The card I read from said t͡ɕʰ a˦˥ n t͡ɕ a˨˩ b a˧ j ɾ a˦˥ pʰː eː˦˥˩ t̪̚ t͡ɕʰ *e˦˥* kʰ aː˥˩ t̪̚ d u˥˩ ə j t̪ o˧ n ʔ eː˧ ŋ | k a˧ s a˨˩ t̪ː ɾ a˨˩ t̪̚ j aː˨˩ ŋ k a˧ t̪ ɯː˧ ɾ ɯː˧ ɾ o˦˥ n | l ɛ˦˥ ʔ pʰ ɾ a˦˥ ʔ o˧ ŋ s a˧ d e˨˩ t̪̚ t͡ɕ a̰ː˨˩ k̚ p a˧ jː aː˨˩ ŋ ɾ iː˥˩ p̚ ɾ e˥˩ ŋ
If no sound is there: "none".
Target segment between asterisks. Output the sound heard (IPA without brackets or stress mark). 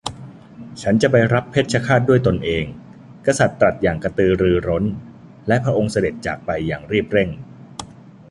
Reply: a˦˥